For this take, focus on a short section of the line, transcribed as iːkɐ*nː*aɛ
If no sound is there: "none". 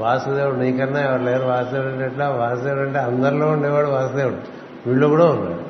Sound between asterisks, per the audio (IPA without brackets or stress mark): nː